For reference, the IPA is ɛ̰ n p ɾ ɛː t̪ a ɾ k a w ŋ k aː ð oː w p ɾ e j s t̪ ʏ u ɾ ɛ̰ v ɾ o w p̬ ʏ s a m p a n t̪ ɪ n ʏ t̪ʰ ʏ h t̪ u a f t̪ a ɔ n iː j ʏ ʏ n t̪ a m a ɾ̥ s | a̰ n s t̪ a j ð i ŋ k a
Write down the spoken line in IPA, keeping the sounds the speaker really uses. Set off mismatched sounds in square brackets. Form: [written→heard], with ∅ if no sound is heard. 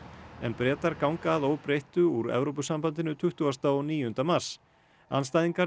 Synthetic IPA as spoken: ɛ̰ n p ɾ ɛː t̪ a ɾ k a w ŋ k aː ð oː w p ɾ e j [s→h] t̪ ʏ u ɾ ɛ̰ v ɾ o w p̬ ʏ s a m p a n t̪ ɪ n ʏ t̪ʰ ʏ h t̪ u a [f→s] t̪ a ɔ n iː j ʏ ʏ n t̪ a m a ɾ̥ s | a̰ n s t̪ a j ð i ŋ k a